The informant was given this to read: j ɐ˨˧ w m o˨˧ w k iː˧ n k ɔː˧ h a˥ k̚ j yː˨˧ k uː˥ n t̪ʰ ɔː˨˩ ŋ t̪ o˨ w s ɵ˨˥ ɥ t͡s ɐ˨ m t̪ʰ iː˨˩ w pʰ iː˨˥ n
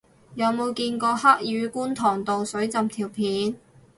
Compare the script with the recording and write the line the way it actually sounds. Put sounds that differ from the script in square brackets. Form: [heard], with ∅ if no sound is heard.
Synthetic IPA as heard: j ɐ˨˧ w m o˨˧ w k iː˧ n k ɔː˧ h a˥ k̚ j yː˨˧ k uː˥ n t̪ʰ ɔː˨˩ ŋ t̪ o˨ w s ɵ˨˥ ɥ t͡s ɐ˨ m t̪ʰ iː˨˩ w pʰ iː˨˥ n